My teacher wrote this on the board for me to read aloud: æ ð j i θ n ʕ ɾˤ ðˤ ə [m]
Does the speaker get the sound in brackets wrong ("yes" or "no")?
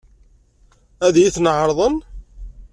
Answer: yes